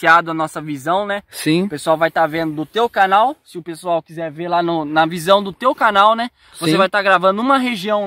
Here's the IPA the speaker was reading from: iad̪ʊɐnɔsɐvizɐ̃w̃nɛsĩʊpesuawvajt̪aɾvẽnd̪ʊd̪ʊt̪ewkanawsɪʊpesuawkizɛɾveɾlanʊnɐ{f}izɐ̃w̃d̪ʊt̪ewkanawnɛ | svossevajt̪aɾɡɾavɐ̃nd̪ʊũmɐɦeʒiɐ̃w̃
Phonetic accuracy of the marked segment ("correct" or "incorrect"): incorrect